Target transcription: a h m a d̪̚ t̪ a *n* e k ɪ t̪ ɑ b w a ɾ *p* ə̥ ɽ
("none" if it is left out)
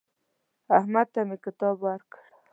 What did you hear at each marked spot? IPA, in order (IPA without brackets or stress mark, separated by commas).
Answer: m, k